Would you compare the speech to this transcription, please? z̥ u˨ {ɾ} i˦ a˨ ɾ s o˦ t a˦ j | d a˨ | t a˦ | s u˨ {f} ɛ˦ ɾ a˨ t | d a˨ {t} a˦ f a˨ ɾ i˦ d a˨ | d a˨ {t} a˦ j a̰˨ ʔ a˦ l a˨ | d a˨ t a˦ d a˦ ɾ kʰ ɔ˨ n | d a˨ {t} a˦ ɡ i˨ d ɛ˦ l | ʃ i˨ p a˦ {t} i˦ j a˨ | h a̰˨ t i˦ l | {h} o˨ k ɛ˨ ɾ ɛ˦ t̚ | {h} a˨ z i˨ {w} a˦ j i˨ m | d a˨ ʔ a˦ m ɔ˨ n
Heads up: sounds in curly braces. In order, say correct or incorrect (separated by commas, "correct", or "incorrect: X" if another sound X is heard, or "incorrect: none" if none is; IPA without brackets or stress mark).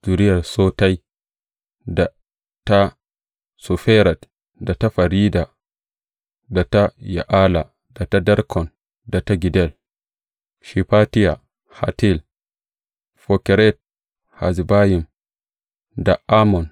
correct, correct, correct, correct, correct, correct, incorrect: f, correct, incorrect: b